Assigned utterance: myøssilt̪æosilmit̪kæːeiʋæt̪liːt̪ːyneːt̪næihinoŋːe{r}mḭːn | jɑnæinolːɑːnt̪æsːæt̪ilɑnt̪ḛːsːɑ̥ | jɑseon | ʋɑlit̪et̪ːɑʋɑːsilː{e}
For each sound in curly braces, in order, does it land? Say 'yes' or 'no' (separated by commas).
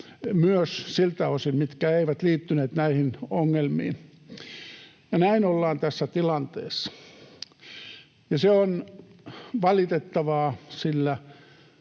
no, no